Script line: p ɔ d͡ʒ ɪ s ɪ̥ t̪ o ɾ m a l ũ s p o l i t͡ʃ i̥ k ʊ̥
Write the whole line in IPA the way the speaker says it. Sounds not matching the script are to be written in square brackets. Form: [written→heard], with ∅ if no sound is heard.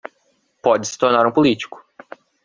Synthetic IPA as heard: p ɔ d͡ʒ ɪ s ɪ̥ t̪ o ɾ [m→n] a [l→ɾ] ũ [s→∅] p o l i t͡ʃ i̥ k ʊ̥